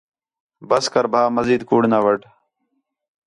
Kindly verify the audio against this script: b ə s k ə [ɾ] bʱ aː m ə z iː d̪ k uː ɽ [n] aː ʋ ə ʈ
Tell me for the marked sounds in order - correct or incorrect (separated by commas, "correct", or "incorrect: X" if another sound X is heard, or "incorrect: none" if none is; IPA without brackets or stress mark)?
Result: correct, correct